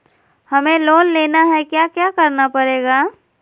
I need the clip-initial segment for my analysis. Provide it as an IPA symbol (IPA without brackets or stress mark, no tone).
h